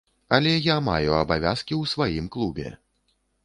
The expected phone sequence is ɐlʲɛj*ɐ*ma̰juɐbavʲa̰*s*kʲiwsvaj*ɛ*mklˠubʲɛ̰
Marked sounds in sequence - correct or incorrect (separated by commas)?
incorrect, correct, incorrect